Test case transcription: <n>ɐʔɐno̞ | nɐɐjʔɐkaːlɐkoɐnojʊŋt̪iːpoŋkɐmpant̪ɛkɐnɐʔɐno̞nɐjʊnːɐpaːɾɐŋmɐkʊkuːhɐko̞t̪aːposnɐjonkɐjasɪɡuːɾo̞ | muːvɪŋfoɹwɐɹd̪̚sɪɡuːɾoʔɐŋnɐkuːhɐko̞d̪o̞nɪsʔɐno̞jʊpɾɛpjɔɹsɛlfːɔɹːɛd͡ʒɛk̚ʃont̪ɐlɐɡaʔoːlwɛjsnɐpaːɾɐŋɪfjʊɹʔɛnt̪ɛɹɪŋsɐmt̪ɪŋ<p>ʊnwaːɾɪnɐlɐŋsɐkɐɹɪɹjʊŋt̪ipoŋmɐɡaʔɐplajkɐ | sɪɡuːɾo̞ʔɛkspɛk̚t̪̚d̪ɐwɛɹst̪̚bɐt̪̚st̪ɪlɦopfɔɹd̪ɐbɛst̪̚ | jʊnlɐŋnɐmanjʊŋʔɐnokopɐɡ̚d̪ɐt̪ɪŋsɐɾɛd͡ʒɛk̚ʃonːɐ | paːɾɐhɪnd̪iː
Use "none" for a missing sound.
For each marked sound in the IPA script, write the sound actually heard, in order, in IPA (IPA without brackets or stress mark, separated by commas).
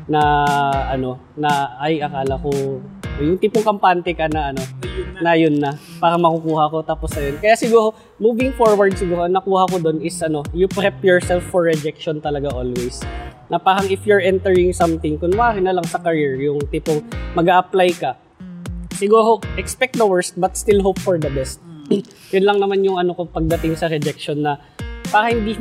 n, k